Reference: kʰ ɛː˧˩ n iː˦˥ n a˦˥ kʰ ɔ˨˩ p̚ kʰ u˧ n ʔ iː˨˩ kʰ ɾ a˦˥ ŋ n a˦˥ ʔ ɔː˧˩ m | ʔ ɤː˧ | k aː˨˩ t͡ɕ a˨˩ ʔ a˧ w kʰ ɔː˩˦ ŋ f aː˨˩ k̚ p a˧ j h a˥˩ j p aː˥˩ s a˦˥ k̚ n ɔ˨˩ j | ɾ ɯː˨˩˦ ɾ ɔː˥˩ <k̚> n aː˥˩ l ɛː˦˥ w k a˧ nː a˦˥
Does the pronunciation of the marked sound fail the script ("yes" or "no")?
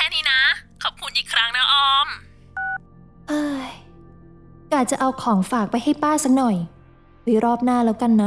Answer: yes